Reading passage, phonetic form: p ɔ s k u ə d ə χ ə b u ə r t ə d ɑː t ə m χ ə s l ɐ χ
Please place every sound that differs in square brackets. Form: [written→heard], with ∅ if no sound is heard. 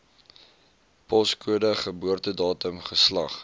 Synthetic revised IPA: p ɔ s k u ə d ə χ ə b u ə r t ə d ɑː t ə m χ ə s l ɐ χ